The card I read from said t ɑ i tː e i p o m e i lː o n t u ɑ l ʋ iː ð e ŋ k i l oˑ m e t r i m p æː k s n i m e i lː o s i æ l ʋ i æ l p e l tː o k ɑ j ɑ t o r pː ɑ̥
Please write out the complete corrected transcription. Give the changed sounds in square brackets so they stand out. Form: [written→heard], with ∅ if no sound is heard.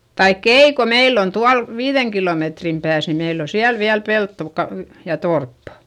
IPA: t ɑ i [tː→kː] e i [p→k] o m e i lː o n t u ɑ l ʋ iː ð e ŋ k i l oˑ m e t r i m p æː [k→∅] s n i m e i lː o s i æ l ʋ i æ l p e l tː o k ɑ j ɑ t o r pː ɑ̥